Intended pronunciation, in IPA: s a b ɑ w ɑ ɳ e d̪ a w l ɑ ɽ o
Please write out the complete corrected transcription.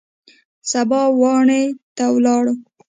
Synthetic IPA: s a b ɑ w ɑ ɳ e t̪ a w l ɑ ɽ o